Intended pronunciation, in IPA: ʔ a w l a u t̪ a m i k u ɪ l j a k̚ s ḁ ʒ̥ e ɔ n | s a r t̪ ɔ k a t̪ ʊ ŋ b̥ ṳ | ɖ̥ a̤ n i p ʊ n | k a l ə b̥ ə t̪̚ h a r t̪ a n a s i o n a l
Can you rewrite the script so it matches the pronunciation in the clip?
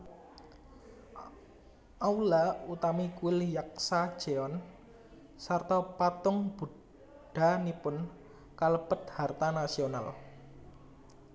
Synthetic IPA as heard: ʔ a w l a u t̪ a m i k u ɪ l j a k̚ s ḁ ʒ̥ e ɔ n | s a r t̪ ɔ p a t̪ ʊ ŋ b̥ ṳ | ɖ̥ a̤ n i p ʊ n | k a l ə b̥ ə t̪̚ h a r t̪ a n a s i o n a l